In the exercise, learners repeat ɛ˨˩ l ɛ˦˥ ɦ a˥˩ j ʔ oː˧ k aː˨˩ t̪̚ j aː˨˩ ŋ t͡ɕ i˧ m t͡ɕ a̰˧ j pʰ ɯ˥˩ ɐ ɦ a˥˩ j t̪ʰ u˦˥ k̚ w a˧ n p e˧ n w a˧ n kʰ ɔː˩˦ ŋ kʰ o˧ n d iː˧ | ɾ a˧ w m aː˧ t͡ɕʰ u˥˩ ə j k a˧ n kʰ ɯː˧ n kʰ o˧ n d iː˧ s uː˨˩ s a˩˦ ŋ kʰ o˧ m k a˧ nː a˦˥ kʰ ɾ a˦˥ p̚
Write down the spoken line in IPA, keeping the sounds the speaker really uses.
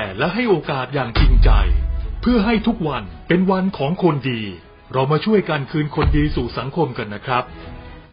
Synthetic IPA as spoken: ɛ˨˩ l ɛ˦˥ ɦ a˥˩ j ʔ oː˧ k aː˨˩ t̪̚ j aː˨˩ ŋ t͡ɕ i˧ ŋ t͡ɕ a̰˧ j pʰ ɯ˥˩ ɐ ɦ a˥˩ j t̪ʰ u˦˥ k̚ w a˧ n p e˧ n w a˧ n kʰ ɔː˩˦ ŋ kʰ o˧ n d iː˧ | ɾ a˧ w m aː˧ t͡ɕʰ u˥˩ ə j k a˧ n kʰ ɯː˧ n kʰ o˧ n d iː˧ s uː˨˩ s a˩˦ ŋ kʰ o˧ m k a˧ nː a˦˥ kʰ ɾ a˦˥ p̚